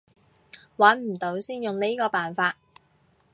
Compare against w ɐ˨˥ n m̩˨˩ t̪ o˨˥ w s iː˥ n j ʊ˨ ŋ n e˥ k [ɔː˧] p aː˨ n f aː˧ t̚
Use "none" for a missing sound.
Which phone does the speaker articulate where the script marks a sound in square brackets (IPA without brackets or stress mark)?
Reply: ɔː˧